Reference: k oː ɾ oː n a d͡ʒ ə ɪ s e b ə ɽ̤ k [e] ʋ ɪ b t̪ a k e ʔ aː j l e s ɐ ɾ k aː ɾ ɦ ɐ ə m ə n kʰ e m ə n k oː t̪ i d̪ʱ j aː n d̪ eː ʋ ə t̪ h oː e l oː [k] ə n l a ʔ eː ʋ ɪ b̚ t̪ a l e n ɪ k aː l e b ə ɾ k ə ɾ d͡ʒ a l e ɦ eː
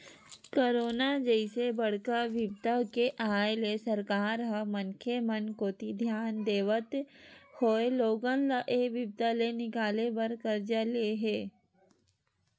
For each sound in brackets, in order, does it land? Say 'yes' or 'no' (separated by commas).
no, no